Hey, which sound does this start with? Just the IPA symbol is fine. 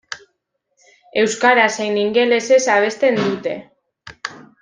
e̞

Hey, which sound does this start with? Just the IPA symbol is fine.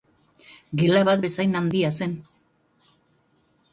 ɡ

